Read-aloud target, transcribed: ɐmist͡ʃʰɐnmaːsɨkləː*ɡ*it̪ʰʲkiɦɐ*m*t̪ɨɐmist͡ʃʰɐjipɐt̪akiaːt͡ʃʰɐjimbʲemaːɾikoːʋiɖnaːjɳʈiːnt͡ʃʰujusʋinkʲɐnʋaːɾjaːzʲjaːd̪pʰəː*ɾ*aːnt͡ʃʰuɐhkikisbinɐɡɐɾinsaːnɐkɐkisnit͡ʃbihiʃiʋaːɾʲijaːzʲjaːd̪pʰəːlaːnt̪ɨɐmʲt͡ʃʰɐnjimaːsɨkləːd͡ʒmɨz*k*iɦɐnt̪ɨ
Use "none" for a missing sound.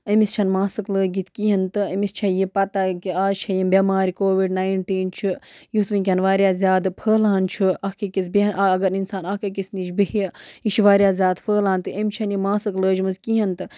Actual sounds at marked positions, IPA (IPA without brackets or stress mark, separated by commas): ɡ, n, l, k